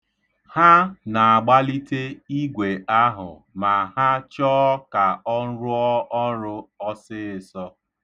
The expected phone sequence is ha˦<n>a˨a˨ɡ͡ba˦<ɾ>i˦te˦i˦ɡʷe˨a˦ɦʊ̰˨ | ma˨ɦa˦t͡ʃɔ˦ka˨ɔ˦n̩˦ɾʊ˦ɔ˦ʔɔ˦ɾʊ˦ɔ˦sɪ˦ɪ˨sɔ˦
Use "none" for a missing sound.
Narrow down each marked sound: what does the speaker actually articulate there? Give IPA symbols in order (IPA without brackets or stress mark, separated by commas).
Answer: n, l